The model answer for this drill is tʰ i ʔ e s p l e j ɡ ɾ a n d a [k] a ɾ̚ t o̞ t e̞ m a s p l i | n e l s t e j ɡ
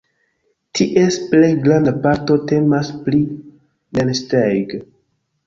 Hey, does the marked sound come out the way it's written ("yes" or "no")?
no